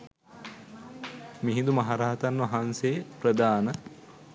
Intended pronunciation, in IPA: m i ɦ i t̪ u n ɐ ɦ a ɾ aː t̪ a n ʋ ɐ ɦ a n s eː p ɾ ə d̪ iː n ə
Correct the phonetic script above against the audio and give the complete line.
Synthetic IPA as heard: m i ɦ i d̪ u m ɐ ɦ a ɾ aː t̪ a n ʋ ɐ ɦ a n s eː p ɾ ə d̪ aː n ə